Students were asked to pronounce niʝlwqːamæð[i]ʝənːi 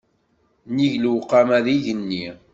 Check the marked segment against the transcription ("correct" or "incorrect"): correct